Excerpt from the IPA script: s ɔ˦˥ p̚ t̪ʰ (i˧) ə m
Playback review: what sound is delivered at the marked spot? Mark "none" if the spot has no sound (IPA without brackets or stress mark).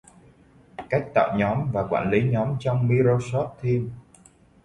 i˧